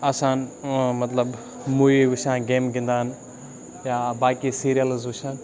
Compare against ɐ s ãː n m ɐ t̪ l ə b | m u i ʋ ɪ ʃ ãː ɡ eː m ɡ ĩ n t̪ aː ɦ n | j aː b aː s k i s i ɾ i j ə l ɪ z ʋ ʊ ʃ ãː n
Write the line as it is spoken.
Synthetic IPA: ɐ s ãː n m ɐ t̪ l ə b | m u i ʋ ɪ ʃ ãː ɡ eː m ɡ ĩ n d̪ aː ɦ n | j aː b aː k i s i ɾ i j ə l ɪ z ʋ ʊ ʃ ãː n